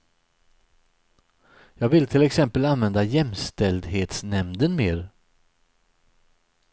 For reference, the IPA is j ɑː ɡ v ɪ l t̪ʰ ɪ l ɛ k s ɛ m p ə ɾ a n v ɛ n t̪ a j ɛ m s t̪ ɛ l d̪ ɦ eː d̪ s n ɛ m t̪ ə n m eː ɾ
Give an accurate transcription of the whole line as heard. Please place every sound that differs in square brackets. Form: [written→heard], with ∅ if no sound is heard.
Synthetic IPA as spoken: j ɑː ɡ v ɪ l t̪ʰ ɪ l ɛ k s ɛ m p ə [ɾ→l] a n v ɛ n [t̪→d̪] a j ɛ m s t̪ ɛ l d̪ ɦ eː [d̪→t̪] s n ɛ m [t̪→d̪] ə n m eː ɾ